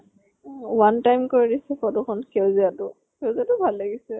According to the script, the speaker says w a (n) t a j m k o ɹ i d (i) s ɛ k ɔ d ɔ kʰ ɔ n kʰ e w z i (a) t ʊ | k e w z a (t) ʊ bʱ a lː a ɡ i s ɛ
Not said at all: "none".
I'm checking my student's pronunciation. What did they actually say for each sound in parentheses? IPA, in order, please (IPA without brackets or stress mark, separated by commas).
n, i, a, t